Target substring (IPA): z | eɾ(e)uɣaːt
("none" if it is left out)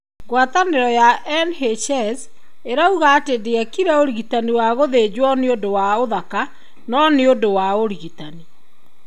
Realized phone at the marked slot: a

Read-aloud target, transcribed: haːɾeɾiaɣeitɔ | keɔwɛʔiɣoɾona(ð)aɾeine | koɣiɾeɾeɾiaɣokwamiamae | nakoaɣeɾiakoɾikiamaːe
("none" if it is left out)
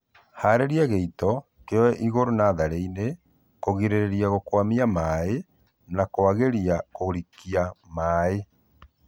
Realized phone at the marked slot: ð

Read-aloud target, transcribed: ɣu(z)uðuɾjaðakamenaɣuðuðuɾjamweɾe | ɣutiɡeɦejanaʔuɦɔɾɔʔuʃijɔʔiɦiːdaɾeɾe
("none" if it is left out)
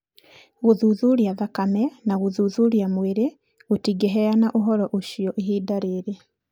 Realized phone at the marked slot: ð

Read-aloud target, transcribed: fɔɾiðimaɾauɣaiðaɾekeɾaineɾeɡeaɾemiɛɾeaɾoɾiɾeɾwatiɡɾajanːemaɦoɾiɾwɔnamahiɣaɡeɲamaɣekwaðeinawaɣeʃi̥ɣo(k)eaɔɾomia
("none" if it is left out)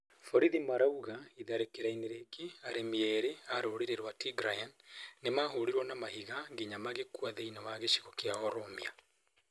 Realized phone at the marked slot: k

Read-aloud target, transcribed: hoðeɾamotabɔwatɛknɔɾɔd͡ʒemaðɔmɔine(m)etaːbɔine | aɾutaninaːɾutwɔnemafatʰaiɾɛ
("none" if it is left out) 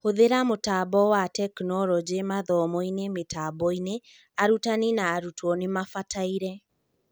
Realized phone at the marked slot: m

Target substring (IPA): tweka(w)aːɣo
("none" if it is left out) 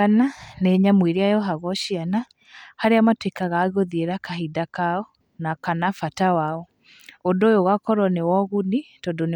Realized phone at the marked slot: ɣ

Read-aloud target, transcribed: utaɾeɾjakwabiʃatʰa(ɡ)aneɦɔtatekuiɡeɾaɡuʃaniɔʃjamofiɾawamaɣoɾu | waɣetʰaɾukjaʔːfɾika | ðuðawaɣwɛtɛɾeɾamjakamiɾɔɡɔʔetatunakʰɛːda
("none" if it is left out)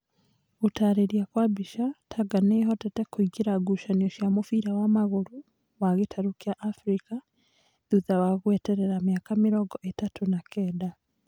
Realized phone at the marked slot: ɡ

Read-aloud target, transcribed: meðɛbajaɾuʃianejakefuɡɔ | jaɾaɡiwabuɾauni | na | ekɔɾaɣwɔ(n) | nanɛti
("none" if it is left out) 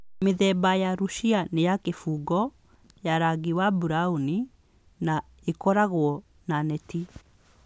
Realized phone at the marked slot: none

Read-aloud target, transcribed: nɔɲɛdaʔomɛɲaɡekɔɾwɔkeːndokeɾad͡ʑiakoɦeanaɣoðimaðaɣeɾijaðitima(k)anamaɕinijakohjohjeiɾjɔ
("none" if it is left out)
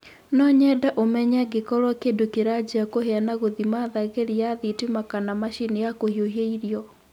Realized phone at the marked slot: k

